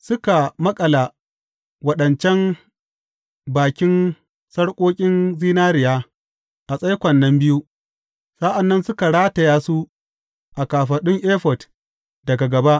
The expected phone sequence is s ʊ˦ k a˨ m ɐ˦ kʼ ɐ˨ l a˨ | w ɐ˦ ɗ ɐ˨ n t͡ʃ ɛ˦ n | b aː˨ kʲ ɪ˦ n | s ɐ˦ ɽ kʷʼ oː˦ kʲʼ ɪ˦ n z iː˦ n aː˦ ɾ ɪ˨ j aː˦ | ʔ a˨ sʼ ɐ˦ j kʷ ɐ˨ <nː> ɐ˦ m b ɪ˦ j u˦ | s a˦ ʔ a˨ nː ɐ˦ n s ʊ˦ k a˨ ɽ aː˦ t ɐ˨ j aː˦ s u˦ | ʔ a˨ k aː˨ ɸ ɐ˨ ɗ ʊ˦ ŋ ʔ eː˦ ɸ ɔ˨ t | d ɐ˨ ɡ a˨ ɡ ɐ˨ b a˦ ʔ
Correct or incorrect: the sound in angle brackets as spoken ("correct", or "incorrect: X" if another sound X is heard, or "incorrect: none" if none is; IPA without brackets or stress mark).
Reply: correct